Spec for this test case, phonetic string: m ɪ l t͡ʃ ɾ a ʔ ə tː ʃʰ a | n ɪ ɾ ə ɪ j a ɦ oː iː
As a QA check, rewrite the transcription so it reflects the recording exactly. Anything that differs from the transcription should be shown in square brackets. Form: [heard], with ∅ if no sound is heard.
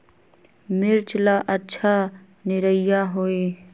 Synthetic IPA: m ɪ [ɾ] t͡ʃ [l] a ʔ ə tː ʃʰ a | n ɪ ɾ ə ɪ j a ɦ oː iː